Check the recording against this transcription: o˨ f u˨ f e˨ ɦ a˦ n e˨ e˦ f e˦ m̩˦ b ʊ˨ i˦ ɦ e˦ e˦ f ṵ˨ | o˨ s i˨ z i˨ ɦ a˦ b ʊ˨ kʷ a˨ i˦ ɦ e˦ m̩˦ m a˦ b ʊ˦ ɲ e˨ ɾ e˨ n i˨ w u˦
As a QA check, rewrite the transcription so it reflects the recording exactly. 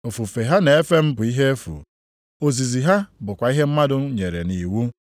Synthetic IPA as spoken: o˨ f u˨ f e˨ ɦ a˦ n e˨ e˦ f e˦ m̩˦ b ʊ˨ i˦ ɦ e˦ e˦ f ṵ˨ | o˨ z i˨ z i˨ ɦ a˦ b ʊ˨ kʷ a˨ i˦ ɦ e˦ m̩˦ m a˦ d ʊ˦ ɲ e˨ ɾ e˨ n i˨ w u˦